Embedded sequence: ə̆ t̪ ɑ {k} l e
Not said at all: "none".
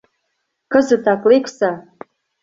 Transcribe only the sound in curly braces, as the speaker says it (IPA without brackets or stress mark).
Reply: k